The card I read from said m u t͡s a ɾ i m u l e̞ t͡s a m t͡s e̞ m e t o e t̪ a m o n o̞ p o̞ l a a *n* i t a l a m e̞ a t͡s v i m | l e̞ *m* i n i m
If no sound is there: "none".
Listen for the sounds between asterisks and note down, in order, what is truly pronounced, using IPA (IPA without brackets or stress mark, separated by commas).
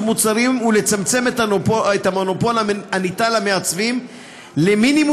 n, m